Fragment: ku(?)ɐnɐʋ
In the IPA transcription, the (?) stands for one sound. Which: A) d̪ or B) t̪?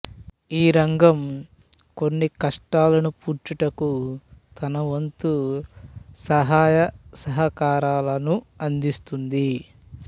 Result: B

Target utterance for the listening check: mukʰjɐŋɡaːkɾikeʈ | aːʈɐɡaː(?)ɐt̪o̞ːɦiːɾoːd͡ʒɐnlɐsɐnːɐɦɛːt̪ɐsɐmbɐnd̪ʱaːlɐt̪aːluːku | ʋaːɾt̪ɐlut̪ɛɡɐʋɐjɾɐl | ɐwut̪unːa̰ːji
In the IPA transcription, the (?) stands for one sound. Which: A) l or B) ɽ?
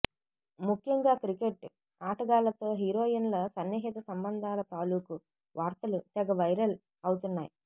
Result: A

